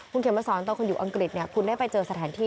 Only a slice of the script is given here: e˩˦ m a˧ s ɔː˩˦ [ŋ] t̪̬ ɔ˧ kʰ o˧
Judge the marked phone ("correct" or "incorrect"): incorrect